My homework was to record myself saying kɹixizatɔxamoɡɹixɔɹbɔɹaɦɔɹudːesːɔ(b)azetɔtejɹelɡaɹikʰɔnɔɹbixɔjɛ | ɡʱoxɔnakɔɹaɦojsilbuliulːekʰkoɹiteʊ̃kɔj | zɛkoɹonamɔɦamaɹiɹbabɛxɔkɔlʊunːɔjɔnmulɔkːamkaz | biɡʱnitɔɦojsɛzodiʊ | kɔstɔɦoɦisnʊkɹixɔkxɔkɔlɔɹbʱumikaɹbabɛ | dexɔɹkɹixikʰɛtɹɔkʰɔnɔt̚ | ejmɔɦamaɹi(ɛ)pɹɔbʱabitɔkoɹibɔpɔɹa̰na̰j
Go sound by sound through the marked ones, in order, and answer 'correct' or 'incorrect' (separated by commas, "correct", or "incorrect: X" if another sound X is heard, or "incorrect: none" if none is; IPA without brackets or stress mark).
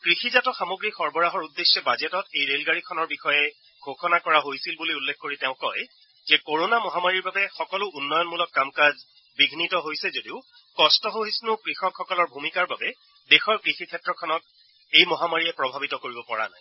correct, correct